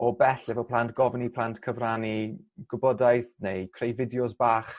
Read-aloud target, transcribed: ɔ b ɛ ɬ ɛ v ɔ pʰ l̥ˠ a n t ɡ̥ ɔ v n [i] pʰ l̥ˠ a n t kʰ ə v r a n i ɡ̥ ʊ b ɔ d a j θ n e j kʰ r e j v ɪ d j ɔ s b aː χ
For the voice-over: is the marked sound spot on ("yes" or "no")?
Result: yes